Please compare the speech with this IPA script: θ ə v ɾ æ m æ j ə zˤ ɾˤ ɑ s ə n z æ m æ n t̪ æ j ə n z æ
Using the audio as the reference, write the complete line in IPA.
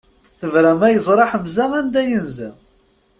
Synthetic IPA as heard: θ ə v ɾ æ m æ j ə zˤ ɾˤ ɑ ħ ə m z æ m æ n d̪ æ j ə n z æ